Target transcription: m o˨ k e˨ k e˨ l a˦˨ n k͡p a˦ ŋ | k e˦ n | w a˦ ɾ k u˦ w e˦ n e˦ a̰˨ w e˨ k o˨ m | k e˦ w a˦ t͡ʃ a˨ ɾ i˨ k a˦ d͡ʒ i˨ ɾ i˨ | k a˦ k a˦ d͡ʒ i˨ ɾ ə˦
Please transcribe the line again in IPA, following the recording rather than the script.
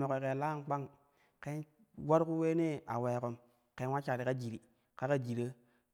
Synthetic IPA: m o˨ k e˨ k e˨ l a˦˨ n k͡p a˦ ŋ | k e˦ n | w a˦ ɾ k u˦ w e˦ n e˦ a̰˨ w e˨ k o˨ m | k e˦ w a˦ t͡ʃ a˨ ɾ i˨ k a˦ d͡ʒ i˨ ɾ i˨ | k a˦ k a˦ d͡ʒ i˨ ɾ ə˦

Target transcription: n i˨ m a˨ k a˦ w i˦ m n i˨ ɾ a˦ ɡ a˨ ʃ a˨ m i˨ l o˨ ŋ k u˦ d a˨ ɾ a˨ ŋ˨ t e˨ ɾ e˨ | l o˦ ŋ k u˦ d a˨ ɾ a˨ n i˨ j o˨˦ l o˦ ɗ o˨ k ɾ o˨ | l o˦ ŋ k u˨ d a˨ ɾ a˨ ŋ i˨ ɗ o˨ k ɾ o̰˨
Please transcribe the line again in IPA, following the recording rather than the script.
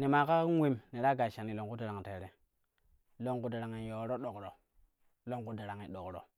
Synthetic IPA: n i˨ m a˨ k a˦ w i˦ m n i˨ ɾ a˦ ɡ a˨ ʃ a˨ n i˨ l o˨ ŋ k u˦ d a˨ ɾ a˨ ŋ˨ t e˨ ɾ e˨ | l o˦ ŋ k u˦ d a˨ ɾ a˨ ŋ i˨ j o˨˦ ɾ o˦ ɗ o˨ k ɾ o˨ | l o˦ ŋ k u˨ d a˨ ɾ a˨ ŋ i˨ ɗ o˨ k ɾ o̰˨

